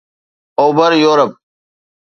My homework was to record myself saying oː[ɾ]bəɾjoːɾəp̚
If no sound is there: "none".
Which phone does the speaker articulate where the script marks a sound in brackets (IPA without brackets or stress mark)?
none